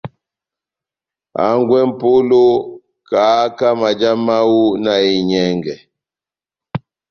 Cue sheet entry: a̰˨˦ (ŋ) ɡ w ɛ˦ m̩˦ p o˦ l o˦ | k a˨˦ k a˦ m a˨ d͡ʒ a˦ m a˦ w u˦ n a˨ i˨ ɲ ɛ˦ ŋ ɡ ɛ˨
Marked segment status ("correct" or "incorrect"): correct